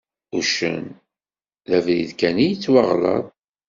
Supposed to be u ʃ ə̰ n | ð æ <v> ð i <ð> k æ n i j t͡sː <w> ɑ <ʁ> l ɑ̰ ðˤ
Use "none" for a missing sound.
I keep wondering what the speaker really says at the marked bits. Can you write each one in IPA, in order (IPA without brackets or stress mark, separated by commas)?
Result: v, ð, w, ʁ